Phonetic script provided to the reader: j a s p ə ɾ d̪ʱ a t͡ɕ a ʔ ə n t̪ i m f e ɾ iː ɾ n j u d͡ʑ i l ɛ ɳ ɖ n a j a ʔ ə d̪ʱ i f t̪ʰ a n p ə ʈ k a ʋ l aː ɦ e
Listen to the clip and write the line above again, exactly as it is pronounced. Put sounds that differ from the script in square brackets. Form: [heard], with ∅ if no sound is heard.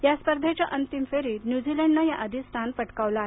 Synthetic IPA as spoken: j a s p ə ɾ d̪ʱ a t͡ɕ a ʔ ə n t̪ i m f e ɾ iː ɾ n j u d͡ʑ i l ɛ ɳ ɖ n a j a ʔ ə d̪ʱ i [s] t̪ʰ a n p ə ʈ k a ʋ l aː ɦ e